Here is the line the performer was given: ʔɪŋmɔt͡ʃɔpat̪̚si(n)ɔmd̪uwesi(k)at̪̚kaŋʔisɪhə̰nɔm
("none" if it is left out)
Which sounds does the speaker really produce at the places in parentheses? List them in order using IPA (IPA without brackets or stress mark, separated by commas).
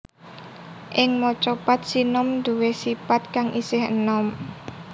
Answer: n, p